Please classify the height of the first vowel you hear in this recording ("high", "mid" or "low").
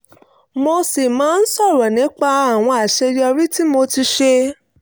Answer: mid